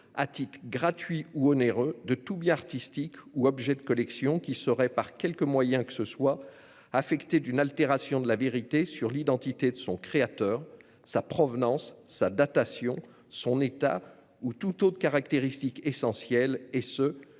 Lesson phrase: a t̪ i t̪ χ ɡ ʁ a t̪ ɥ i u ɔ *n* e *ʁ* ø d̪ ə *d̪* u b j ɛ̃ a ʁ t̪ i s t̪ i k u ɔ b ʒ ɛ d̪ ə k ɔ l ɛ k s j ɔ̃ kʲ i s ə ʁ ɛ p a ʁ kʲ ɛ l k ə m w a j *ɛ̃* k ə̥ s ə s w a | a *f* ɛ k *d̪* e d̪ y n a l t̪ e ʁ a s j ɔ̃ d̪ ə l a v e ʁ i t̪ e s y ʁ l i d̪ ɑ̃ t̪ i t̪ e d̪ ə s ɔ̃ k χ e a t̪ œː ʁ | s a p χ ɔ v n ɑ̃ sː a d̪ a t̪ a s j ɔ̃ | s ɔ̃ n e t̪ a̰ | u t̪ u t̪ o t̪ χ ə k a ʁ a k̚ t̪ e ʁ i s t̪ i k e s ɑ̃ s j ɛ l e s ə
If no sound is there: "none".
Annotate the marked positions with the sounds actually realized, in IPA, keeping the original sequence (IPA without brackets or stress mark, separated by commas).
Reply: n, ʁ, t̪, ɛ̃, f, t̪